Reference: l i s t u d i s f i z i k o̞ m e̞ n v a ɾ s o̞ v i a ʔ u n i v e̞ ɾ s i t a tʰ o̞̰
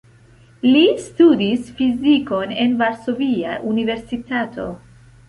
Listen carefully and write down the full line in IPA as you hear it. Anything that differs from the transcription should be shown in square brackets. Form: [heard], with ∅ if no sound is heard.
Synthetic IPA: l i s t u d i s f i z i k o̞ [n] e̞ n v a ɾ s o̞ v i a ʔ u n i v e̞ ɾ s i t a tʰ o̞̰